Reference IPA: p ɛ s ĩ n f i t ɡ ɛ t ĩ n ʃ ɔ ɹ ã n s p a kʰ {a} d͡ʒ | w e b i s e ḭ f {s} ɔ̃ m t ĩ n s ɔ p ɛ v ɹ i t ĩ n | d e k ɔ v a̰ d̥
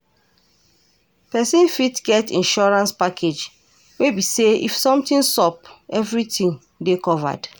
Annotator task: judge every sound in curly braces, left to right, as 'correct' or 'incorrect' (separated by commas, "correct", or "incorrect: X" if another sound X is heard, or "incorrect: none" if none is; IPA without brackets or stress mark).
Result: incorrect: e, correct